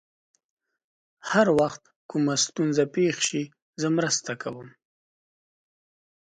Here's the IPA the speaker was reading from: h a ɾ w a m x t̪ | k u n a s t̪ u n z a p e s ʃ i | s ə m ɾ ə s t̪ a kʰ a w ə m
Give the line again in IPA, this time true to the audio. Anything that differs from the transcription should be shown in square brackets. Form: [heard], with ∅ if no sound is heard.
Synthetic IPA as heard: h a ɾ w a [∅] x t̪ | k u [m] a s t̪ u n z a p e [x] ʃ i | [z] ə m ɾ ə s t̪ a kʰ a w ə m